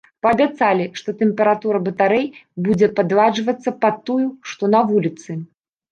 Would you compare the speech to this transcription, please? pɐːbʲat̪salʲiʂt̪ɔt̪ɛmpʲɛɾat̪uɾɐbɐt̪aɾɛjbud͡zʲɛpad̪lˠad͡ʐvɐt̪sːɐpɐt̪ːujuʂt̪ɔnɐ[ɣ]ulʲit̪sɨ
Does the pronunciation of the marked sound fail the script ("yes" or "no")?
yes